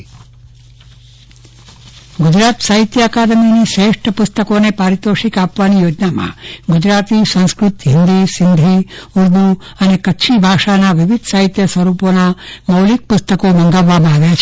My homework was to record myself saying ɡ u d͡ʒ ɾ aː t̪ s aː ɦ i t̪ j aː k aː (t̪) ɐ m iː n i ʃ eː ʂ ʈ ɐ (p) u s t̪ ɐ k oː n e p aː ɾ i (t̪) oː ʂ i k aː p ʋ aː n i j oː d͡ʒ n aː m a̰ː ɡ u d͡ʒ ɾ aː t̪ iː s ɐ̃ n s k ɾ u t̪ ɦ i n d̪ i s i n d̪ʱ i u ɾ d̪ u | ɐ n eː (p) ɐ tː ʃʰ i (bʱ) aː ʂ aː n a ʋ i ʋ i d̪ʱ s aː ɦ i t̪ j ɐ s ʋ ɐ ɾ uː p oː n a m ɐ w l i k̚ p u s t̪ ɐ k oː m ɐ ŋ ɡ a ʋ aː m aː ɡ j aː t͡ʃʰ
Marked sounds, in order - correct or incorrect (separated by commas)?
incorrect, correct, correct, incorrect, correct